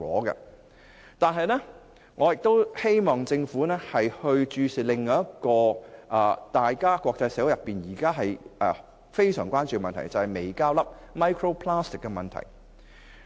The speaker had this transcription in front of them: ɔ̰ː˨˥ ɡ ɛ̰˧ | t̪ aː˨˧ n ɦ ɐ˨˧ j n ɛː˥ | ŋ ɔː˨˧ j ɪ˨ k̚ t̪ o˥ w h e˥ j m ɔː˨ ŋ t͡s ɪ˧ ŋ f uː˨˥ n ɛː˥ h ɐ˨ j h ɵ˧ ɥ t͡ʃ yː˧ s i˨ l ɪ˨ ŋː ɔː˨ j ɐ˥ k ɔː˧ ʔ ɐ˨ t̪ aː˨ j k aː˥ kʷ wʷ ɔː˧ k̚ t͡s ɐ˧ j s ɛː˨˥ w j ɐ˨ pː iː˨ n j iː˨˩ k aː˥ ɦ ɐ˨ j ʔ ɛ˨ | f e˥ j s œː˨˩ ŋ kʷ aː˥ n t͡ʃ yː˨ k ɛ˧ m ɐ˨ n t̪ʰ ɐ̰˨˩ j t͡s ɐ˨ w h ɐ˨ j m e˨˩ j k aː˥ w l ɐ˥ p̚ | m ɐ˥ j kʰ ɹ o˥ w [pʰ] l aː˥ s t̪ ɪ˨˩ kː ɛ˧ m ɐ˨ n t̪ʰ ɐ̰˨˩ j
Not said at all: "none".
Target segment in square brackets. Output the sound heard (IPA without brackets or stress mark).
pʰ